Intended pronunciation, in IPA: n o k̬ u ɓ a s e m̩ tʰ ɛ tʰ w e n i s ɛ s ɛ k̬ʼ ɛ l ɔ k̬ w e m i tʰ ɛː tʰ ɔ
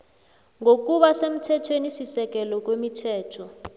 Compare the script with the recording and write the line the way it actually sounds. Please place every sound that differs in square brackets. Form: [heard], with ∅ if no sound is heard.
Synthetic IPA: [ŋ] o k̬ u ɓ a s e m̩ tʰ ɛ tʰ w e n i s [i] s ɛ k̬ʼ ɛ l ɔ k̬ w e m i tʰ ɛː tʰ ɔ